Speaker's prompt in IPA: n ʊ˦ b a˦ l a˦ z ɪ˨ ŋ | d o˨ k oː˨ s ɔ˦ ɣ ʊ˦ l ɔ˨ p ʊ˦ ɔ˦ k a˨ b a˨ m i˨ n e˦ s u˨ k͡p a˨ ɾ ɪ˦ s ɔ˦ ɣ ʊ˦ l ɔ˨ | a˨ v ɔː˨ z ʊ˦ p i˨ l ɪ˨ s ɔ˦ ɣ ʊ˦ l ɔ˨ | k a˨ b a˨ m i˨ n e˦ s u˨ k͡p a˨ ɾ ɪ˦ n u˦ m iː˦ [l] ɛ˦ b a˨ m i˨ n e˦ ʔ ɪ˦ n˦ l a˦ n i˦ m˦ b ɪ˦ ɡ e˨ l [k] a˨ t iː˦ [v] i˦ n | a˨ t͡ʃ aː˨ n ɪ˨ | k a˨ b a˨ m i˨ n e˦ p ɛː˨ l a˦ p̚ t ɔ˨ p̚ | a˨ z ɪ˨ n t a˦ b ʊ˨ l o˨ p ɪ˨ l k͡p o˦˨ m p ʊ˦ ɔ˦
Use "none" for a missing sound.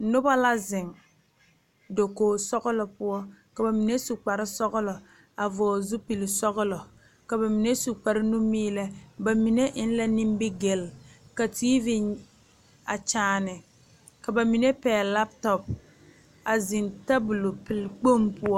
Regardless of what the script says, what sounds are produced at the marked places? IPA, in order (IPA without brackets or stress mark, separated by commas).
l, k, v